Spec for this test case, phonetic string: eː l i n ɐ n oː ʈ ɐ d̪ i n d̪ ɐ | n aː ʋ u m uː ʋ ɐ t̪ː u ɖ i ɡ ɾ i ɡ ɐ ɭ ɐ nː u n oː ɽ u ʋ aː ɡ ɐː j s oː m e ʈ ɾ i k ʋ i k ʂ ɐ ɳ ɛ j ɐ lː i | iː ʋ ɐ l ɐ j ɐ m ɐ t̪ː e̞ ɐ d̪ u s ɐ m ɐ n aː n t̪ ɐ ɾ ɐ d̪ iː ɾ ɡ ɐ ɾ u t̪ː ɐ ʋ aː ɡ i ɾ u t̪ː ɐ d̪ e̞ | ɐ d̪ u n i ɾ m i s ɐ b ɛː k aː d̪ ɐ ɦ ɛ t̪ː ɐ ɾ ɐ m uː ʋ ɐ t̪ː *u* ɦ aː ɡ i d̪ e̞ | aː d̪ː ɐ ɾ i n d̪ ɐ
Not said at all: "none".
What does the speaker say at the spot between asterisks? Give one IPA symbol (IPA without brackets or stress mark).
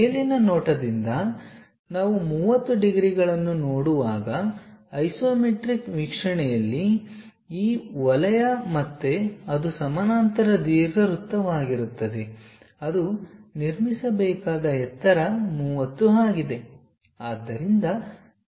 u